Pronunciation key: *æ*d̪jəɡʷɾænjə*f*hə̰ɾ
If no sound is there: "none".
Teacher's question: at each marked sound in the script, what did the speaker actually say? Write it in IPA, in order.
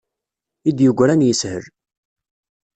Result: i, s

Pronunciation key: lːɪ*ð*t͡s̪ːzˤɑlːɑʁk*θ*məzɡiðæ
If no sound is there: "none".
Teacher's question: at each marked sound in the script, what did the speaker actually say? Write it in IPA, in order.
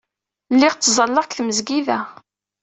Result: ʁ, θ

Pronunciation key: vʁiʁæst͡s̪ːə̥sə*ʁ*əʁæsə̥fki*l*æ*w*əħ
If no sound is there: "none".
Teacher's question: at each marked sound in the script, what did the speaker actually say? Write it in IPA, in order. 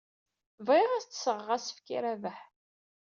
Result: ʁ, ɾ, v

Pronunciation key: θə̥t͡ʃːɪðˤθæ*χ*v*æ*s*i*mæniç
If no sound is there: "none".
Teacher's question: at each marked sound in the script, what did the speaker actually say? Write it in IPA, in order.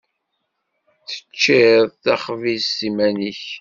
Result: χ, i, i

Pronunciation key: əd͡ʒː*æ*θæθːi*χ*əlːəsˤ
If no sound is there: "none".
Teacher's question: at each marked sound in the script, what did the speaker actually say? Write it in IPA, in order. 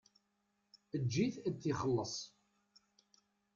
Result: i, χ

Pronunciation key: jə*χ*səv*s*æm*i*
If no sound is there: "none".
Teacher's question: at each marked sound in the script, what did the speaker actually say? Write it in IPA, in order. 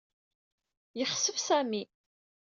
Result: χ, s, i

